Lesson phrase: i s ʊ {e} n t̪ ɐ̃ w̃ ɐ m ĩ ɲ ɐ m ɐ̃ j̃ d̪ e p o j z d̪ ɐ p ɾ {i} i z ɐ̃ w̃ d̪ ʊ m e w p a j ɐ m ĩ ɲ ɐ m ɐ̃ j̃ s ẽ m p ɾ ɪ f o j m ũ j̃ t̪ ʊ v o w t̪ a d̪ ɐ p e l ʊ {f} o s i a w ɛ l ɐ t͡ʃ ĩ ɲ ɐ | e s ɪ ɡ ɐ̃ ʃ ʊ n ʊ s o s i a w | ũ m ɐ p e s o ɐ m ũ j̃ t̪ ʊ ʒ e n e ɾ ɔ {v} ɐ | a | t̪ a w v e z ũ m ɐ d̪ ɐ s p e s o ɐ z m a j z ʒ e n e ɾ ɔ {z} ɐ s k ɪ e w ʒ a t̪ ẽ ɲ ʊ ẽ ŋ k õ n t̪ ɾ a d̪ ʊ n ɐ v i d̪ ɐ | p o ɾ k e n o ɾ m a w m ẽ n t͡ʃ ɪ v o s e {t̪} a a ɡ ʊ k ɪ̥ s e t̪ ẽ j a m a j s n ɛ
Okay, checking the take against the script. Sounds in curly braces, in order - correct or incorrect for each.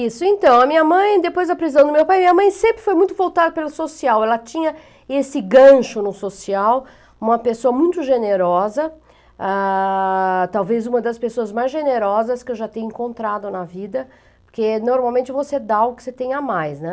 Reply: incorrect: ẽ, correct, incorrect: s, incorrect: z, correct, incorrect: d̪

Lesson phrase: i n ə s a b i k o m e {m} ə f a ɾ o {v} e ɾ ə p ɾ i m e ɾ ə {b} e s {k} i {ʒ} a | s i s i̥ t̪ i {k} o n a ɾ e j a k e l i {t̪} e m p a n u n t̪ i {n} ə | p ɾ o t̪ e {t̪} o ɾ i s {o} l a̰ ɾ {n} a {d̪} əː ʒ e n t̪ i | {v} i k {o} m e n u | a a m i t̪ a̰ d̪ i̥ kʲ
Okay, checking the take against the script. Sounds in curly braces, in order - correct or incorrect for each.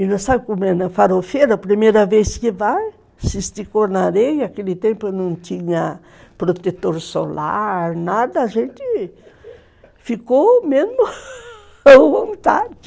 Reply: incorrect: n, incorrect: f, incorrect: v, correct, incorrect: v, correct, correct, incorrect: ɲ, correct, correct, correct, correct, incorrect: f, correct

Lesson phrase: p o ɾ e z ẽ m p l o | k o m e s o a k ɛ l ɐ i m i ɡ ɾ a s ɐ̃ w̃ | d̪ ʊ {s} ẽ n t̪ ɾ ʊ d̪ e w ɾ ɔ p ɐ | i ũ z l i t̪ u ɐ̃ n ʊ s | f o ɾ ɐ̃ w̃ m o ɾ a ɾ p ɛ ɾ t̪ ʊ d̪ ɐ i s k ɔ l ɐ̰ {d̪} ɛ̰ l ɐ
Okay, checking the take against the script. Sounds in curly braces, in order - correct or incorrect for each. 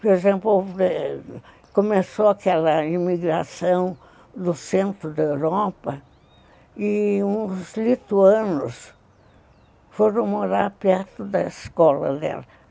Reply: correct, correct

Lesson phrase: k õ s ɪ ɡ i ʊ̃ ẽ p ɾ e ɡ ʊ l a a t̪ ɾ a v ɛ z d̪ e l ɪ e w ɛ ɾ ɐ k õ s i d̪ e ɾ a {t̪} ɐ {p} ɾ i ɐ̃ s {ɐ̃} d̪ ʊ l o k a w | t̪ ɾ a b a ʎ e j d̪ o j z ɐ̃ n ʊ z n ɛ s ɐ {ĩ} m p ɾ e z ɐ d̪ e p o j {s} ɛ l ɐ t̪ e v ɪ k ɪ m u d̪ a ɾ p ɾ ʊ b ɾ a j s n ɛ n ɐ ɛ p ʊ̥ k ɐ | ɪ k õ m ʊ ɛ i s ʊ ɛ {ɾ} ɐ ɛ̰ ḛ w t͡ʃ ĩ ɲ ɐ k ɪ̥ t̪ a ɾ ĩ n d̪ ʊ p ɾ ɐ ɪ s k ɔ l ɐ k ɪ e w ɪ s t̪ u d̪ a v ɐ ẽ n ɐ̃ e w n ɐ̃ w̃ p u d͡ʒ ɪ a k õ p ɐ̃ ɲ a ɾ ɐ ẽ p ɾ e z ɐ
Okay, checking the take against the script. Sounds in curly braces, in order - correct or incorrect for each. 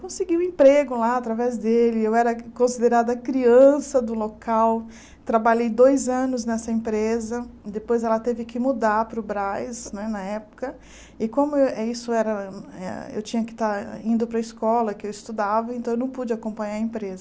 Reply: incorrect: d̪, incorrect: k, incorrect: ɐ, incorrect: ẽ, incorrect: z, correct

